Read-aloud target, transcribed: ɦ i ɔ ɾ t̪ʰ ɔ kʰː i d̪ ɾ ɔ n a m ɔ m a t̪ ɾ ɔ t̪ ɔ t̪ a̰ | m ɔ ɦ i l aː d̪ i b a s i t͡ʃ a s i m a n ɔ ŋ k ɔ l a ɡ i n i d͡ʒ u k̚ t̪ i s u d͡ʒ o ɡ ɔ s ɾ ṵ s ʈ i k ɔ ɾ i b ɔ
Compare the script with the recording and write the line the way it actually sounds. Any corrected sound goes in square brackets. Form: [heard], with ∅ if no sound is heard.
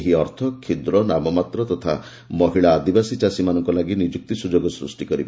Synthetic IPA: ɦ i ɔ ɾ t̪ʰ ɔ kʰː i d̪ ɾ ɔ n a m ɔ m a t̪ ɾ ɔ t̪ ɔ [t̪ʰ] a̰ | m ɔ ɦ i [ɭ] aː d̪ i b a s i t͡ʃ a s i m a n ɔ ŋ k ɔ l a ɡ i n i d͡ʒ u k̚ t̪ i s u d͡ʒ o ɡ ɔ s ɾ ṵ s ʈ i k ɔ ɾ i b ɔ

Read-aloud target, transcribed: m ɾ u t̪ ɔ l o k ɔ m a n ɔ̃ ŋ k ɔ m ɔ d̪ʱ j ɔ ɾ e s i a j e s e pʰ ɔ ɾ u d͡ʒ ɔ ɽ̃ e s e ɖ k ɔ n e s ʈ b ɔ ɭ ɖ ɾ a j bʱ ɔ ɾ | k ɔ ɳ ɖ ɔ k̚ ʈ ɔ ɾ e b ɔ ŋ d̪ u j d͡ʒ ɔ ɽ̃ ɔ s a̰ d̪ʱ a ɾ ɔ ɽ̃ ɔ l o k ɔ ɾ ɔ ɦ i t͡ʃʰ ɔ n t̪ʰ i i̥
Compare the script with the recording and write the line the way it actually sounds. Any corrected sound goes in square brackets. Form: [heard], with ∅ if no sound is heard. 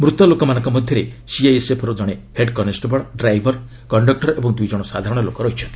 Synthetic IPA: m ɾ u t̪ ɔ l o k ɔ m a n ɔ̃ ŋ k ɔ m ɔ d̪ʱ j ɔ ɾ e s i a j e s e pʰ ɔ ɾ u d͡ʒ ɔ ɽ̃ e [h] e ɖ k ɔ n e s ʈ b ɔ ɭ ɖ ɾ a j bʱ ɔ ɾ | k ɔ ɳ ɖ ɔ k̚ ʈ ɔ ɾ e b ɔ ŋ d̪ u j d͡ʒ ɔ ɽ̃ ɔ s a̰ d̪ʱ a ɾ ɔ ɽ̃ ɔ l o k ɔ ɾ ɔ ɦ i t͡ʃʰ ɔ n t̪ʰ i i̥

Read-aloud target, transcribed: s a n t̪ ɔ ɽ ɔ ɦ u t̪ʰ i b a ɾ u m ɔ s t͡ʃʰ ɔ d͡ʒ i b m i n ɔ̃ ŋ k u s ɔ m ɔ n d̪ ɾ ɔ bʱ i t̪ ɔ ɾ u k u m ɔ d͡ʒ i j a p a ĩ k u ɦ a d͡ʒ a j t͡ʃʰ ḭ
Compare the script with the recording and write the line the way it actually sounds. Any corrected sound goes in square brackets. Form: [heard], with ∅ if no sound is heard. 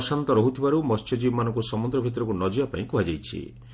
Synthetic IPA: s a n t̪ ɔ [ɾ] ɔ ɦ u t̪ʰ i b a ɾ u m ɔ s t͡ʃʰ ɔ d͡ʒ i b m [a] n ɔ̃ ŋ k u s ɔ m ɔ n d̪ ɾ ɔ bʱ i t̪ ɔ ɾ [ɔ] k u [n] ɔ d͡ʒ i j a p a ĩ k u ɦ a d͡ʒ a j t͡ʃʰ ḭ

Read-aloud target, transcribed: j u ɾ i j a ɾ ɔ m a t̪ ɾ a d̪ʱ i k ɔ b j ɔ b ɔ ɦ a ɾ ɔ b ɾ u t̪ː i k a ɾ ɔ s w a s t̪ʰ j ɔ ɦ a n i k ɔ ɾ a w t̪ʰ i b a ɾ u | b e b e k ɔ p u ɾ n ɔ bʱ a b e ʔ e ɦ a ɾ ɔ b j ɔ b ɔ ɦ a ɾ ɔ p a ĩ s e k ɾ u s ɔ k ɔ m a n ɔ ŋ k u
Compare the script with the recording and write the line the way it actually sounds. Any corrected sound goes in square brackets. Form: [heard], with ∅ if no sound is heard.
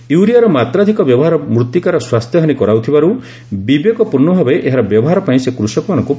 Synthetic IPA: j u ɾ i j a ɾ ɔ m a t̪ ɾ a d̪ʱ i k ɔ b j ɔ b ɔ ɦ a ɾ ɔ [m] ɾ u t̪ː i k a ɾ ɔ s w a s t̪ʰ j ɔ ɦ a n i k ɔ ɾ a w t̪ʰ i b a ɾ u | b [i] b e k ɔ p u ɾ n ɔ bʱ a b e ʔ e ɦ a ɾ ɔ b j ɔ b ɔ ɦ a ɾ ɔ p a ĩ s e k ɾ u s ɔ k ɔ m a n ɔ ŋ k u

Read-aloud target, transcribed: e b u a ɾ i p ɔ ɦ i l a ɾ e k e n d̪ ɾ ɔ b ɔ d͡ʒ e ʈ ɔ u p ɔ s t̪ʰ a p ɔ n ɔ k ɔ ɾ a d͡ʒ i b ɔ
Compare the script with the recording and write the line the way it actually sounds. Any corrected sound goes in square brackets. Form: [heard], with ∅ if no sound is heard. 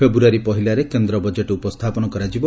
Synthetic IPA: e b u a ɾ i p ɔ ɦ i l a ɾ e k e n d̪ ɾ ɔ b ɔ d͡ʒ e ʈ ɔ u p ɔ s t̪ʰ a p ɔ n ɔ k ɔ ɾ a d͡ʒ i b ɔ

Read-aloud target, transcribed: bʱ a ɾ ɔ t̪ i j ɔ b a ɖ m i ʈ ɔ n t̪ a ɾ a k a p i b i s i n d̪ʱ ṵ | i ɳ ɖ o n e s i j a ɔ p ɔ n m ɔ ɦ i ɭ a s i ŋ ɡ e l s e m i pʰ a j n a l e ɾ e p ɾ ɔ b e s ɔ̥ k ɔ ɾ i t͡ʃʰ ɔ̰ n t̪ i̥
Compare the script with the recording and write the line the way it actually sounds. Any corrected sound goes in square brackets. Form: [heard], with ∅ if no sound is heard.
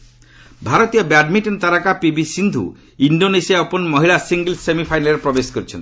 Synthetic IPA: bʱ a ɾ ɔ t̪ i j ɔ b a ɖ m i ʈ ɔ n t̪ a ɾ a k a p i b i s i n d̪ʱ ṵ | i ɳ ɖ o n e s i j a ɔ p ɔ n m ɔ ɦ i ɭ a s i ŋ ɡ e l s e m i pʰ a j n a l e ɾ e p ɾ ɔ b e s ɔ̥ k ɔ ɾ i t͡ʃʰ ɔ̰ n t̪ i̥

